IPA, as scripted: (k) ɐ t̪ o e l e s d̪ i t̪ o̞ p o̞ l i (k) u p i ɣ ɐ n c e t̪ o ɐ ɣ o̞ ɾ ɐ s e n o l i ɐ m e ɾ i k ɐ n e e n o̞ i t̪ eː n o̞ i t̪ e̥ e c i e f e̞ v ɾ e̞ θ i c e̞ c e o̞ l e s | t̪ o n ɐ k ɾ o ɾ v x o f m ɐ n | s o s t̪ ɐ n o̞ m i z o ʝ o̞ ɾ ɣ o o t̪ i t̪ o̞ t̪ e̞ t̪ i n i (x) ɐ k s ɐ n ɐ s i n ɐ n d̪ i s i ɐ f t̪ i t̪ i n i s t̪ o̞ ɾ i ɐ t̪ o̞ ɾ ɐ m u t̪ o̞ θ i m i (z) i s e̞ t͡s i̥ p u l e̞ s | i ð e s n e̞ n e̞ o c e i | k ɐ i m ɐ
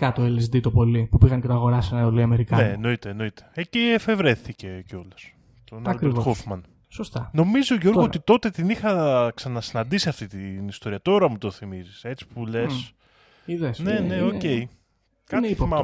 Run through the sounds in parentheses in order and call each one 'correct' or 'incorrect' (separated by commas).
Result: correct, incorrect, correct, correct